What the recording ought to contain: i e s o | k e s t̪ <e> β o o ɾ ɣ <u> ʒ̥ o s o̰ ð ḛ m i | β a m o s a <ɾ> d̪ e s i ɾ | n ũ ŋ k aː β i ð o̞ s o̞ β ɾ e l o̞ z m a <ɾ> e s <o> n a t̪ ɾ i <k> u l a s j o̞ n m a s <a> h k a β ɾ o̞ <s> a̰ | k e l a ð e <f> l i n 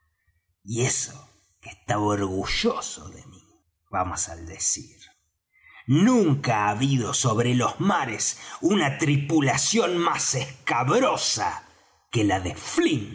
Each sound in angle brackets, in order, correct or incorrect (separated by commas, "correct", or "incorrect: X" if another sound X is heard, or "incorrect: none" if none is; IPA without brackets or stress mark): incorrect: a, correct, incorrect: l, correct, incorrect: u, incorrect: p, incorrect: e, correct, correct